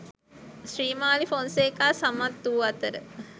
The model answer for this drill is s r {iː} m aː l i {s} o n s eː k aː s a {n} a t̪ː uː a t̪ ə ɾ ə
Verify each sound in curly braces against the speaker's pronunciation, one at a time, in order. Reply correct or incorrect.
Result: correct, incorrect: f, incorrect: m

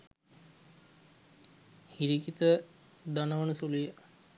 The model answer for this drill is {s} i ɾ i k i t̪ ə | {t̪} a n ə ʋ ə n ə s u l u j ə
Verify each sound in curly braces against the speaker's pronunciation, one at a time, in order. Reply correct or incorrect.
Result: incorrect: h, incorrect: d̪

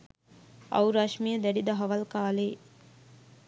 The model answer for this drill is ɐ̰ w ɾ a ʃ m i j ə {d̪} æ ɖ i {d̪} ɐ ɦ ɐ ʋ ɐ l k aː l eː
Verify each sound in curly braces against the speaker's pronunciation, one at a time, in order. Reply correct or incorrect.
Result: correct, correct

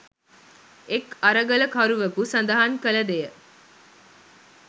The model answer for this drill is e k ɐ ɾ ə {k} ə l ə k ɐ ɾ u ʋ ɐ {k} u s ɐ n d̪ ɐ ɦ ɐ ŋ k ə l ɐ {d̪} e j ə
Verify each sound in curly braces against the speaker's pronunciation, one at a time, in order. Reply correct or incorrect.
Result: incorrect: ɡ, correct, correct

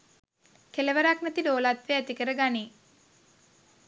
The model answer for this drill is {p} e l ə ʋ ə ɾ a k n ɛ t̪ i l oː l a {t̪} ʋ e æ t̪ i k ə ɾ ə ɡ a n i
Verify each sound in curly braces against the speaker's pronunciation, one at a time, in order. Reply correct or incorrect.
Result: incorrect: k, correct

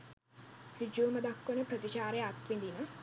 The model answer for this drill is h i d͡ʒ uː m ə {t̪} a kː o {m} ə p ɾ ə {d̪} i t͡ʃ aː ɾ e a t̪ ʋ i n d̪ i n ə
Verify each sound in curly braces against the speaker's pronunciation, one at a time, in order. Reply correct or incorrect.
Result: incorrect: d̪, incorrect: n, incorrect: t̪

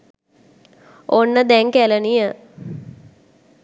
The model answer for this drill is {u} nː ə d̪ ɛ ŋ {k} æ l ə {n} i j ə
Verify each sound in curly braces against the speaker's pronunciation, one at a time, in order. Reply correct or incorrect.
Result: incorrect: o, correct, correct

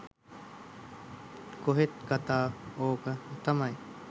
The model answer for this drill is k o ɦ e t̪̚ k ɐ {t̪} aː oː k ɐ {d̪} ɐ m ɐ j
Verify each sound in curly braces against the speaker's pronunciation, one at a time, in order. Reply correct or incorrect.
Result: correct, incorrect: t̪

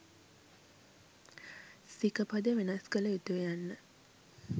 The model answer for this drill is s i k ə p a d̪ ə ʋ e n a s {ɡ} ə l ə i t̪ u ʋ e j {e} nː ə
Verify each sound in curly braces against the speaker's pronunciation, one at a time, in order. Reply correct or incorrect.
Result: incorrect: k, incorrect: a

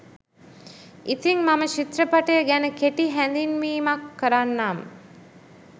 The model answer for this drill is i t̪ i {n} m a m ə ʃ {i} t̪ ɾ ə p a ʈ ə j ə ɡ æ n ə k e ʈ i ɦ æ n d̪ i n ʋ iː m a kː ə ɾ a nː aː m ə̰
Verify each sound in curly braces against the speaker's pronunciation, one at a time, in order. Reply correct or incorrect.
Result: incorrect: ŋ, correct

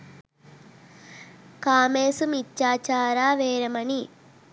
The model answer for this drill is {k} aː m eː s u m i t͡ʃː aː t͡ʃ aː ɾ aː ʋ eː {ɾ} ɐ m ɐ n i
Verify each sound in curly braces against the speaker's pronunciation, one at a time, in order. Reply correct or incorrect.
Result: correct, correct

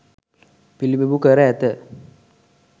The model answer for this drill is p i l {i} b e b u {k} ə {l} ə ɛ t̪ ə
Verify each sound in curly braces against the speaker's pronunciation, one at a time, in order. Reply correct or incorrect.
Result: correct, correct, incorrect: ɾ

